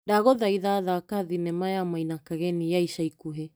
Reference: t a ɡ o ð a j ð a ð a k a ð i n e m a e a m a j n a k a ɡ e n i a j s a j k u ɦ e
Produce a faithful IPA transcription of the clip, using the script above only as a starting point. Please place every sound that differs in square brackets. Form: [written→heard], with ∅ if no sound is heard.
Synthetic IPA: [t→d] a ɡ o ð a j ð a ð a k a ð i n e m a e a m a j n a k a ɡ e n i a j s a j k u ɦ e